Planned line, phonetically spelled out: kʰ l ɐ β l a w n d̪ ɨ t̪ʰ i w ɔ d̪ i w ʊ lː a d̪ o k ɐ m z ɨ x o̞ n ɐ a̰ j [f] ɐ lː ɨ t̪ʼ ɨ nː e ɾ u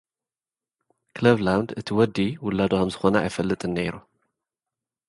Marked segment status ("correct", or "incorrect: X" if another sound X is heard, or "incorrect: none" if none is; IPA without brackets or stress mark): correct